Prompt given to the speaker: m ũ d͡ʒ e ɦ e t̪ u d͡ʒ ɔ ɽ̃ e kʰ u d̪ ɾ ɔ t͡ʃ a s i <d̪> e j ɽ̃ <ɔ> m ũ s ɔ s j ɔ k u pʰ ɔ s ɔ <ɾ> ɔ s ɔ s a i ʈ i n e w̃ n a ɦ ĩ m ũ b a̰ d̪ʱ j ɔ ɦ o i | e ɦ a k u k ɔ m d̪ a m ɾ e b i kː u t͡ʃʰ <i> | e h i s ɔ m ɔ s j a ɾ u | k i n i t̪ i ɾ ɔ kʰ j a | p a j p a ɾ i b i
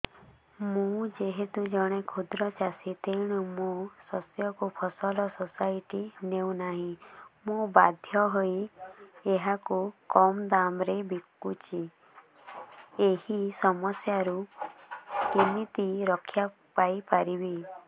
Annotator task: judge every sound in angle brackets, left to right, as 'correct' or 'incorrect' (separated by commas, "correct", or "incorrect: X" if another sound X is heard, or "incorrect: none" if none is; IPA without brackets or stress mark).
incorrect: t̪, incorrect: u, incorrect: l, correct